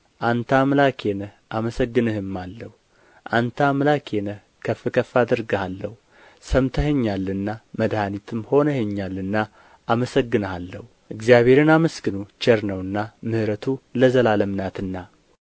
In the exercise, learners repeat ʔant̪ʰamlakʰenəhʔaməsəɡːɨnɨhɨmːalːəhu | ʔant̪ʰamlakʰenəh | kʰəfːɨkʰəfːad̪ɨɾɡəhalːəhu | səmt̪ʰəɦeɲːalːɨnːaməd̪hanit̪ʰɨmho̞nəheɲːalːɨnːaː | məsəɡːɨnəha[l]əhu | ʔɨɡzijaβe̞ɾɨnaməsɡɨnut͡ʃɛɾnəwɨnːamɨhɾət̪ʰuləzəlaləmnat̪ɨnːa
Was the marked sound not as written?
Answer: yes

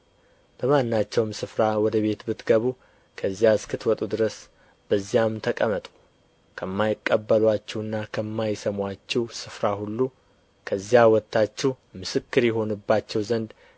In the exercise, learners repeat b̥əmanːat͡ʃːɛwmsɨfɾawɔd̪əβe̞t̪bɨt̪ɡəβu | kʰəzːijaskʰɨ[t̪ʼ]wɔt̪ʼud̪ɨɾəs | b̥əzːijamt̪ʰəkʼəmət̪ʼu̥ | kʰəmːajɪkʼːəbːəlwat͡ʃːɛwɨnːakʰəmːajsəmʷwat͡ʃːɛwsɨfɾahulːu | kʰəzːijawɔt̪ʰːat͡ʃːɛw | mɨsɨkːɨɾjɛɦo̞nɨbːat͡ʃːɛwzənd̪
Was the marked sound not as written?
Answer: yes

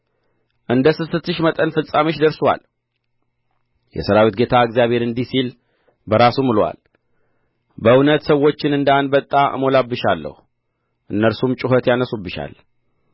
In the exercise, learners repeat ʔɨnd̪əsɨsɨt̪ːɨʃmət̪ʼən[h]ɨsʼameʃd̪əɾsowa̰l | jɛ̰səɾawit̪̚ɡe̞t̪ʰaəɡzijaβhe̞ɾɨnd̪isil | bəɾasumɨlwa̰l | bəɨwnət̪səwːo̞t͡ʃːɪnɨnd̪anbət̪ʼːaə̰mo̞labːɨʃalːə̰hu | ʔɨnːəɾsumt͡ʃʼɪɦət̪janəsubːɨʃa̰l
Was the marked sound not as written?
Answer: yes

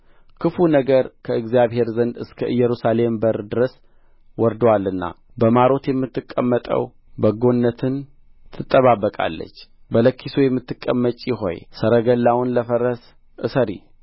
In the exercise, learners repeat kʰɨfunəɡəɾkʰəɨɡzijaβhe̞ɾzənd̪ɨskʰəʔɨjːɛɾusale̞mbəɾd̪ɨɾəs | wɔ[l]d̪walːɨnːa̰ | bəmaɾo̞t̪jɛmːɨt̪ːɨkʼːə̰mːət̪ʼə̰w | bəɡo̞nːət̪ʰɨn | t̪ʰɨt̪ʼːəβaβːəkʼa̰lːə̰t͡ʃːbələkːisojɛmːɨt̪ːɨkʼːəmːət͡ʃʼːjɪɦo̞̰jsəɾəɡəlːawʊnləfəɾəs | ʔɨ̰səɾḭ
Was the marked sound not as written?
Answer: yes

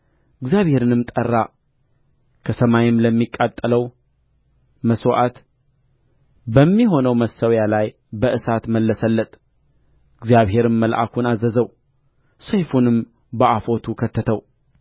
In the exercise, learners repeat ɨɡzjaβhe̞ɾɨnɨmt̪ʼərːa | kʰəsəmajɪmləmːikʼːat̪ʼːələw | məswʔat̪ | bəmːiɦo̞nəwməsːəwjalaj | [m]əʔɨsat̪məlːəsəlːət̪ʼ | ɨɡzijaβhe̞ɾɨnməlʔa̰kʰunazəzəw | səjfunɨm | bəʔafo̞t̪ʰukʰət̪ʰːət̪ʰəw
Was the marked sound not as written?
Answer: yes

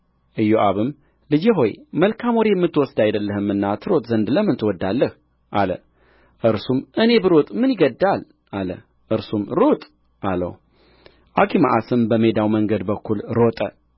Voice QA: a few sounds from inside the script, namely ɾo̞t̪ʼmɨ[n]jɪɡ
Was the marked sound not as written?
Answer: no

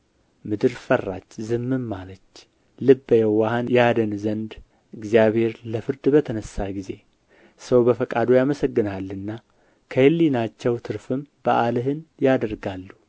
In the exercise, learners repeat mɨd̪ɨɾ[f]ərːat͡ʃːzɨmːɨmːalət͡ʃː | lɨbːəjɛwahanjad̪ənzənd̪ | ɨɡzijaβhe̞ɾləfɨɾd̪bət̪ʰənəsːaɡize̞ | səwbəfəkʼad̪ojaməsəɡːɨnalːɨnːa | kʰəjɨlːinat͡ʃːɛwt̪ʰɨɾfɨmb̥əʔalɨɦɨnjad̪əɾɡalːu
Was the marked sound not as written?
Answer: no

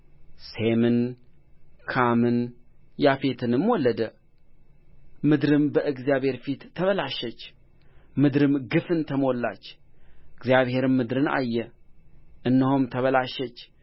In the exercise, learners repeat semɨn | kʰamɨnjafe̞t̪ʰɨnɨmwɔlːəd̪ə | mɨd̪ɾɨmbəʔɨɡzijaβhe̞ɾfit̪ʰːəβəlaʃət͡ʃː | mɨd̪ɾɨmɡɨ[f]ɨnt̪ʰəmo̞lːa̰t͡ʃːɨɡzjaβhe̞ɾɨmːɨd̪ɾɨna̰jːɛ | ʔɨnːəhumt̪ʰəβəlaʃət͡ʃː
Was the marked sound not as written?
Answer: no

